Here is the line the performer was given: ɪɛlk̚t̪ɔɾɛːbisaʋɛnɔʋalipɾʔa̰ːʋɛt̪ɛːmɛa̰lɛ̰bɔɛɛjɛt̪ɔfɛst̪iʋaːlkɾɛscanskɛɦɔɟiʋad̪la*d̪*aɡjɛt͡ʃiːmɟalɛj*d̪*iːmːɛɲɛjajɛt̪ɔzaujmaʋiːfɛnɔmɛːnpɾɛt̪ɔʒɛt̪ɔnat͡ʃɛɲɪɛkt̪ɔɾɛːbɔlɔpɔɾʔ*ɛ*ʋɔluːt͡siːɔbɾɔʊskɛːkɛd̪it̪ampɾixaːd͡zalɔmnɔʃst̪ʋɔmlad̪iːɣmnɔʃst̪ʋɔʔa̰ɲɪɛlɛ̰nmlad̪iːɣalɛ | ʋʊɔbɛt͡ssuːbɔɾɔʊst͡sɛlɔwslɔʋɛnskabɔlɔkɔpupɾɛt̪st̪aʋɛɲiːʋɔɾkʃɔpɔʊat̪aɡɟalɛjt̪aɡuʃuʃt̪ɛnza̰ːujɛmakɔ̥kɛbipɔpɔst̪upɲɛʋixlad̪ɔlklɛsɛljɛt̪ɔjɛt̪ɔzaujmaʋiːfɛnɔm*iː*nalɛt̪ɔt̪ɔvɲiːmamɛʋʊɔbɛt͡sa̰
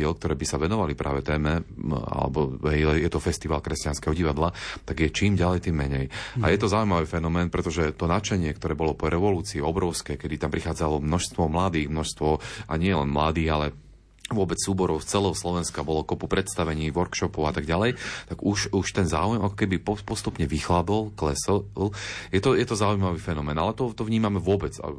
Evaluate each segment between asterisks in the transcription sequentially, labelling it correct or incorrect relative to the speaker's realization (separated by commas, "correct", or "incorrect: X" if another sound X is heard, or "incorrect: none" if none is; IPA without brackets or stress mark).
incorrect: t̪, incorrect: t̪, correct, incorrect: ɛː